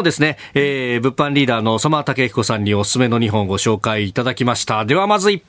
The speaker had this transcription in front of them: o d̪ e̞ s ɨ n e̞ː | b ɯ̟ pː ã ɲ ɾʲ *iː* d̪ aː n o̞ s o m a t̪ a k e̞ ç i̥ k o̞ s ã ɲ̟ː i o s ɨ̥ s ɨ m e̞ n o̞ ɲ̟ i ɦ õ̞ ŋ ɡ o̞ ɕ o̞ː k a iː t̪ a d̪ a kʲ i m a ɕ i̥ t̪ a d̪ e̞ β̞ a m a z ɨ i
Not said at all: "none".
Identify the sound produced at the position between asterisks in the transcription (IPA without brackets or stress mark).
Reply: iː